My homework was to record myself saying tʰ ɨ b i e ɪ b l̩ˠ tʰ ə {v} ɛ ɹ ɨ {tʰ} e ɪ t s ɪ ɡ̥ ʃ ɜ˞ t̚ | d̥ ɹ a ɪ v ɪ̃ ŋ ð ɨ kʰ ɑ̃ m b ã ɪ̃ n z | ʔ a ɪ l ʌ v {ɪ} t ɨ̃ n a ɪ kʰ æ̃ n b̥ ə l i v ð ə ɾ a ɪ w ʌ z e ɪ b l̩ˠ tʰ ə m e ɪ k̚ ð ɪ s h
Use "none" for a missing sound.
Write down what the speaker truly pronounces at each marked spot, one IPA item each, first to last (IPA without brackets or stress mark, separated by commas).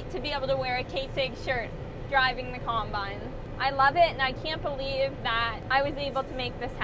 w, kʰ, ɪ